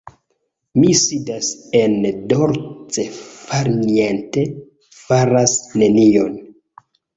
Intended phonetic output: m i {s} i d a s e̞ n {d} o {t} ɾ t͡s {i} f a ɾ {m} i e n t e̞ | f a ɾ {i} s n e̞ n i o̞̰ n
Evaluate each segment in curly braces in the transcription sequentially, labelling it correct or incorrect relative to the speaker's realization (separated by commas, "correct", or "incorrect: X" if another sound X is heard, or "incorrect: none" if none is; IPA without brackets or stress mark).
correct, correct, incorrect: none, incorrect: e, incorrect: n, incorrect: a